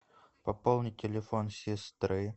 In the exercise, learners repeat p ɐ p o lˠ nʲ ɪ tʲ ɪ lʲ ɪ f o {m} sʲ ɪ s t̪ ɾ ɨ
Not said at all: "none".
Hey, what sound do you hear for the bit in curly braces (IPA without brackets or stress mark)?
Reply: n